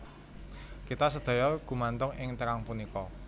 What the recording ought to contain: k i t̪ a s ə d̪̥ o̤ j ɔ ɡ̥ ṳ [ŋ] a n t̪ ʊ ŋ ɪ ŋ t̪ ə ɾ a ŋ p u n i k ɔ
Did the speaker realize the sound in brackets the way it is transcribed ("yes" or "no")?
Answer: no